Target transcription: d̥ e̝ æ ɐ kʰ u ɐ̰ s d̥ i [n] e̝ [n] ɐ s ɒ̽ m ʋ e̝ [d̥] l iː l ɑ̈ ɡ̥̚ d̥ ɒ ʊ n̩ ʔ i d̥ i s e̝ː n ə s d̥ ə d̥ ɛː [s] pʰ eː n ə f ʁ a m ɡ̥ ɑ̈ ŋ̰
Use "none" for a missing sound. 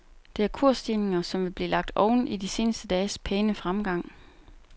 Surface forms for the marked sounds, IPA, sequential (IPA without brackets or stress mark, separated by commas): n, ŋ, b̥, s